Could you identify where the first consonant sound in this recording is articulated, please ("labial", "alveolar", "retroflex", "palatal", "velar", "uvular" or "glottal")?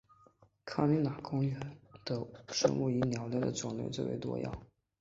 velar